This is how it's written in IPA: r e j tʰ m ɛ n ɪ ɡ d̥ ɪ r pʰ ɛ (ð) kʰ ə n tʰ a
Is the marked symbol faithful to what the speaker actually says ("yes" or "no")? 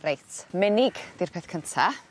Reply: no